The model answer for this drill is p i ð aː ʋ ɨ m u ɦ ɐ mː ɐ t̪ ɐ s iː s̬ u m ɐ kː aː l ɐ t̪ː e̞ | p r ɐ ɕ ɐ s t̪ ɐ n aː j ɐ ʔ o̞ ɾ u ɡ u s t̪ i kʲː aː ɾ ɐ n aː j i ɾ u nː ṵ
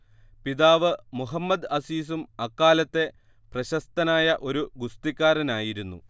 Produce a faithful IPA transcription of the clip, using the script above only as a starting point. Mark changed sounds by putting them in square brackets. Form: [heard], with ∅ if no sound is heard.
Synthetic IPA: p i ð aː ʋ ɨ m u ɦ ɐ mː ɐ [d̪] ɐ s iː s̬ u m ɐ kː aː l ɐ t̪ː e̞ | p r ɐ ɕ ɐ s t̪ ɐ n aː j ɐ ʔ o̞ ɾ u ɡ u s t̪ i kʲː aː ɾ ɐ n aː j i ɾ u nː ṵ